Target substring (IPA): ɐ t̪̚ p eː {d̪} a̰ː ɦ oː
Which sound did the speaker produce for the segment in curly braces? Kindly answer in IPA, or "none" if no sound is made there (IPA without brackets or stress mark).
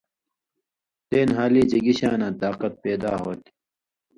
d̪